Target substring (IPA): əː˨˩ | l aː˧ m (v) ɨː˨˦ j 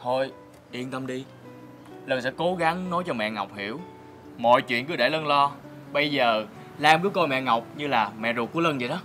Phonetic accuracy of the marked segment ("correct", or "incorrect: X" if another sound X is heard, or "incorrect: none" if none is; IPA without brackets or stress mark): correct